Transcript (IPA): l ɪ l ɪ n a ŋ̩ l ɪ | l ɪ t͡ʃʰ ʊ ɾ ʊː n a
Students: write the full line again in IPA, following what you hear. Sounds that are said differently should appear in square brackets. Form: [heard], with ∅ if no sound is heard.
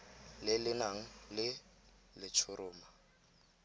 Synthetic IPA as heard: l ɪ l ɪ n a ŋ̩ l ɪ | l ɪ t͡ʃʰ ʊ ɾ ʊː [m] a